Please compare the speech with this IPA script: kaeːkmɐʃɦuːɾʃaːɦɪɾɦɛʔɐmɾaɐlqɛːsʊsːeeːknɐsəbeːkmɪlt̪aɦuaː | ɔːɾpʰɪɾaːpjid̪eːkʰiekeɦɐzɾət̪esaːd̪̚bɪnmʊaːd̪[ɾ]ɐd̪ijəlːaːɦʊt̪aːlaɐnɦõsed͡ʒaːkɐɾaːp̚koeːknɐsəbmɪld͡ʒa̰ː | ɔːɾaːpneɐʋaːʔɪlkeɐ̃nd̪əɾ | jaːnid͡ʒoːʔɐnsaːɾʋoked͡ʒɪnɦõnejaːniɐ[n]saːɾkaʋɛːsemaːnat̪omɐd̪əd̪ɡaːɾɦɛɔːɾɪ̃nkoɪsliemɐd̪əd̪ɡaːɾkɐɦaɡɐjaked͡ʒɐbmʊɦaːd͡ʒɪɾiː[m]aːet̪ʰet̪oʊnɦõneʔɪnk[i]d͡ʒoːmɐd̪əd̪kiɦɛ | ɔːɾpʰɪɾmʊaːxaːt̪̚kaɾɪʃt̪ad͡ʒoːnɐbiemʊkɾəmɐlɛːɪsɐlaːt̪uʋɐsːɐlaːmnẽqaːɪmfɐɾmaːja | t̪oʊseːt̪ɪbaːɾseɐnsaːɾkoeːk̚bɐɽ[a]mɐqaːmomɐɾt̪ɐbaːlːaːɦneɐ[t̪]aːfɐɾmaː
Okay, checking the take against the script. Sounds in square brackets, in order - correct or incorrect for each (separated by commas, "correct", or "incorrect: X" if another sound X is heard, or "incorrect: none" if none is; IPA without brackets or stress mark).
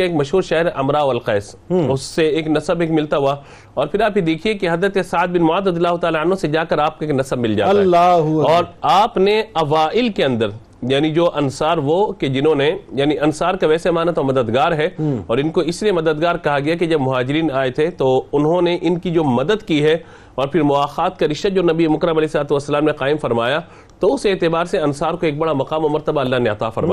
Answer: correct, correct, incorrect: n, correct, correct, correct